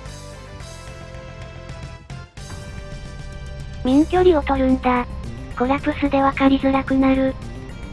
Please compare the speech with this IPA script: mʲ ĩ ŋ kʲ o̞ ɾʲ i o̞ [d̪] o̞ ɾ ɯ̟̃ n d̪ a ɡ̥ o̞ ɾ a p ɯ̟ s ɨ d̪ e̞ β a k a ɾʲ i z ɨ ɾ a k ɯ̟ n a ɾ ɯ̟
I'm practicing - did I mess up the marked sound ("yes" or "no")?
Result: yes